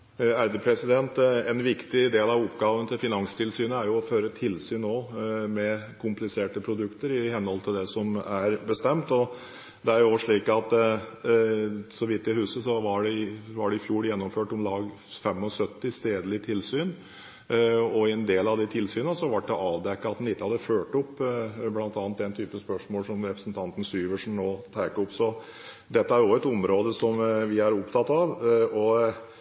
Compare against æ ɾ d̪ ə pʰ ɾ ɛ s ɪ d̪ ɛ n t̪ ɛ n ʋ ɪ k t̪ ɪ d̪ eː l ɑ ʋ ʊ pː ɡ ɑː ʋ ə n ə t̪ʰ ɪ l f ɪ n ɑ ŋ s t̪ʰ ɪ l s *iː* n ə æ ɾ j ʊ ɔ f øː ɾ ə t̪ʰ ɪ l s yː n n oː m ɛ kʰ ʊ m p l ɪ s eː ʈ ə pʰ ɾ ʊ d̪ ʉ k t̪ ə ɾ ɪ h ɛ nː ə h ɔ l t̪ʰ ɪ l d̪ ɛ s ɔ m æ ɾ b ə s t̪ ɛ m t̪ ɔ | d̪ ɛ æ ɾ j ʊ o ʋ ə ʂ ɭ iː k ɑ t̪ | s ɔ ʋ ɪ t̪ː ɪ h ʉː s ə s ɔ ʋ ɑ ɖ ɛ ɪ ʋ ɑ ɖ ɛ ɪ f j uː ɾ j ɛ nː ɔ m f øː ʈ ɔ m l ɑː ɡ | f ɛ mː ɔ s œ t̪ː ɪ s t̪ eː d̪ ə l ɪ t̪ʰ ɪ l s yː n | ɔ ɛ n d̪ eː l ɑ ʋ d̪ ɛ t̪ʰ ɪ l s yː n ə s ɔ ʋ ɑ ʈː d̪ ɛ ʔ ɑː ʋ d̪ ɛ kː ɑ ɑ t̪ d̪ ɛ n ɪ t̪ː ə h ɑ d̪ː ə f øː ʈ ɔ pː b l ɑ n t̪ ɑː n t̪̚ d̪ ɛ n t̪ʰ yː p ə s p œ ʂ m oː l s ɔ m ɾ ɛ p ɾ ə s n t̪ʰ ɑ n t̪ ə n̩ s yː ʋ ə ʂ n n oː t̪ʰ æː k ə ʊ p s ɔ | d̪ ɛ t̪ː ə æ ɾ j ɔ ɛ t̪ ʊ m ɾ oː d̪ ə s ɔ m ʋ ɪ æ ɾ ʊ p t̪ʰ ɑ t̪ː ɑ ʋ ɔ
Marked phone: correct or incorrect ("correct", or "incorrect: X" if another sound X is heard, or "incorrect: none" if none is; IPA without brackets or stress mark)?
incorrect: yː